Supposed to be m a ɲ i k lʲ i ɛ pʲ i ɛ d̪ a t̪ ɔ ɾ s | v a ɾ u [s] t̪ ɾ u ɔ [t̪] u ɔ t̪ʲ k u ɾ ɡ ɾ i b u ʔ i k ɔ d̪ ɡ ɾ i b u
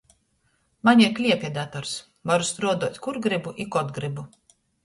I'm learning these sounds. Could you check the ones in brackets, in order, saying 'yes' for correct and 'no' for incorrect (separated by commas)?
yes, no